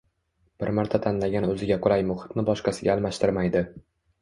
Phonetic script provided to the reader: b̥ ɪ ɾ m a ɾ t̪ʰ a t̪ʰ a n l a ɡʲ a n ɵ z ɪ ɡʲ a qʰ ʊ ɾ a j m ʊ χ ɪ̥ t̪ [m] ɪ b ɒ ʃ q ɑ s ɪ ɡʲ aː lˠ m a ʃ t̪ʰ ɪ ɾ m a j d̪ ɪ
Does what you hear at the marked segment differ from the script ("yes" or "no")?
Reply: yes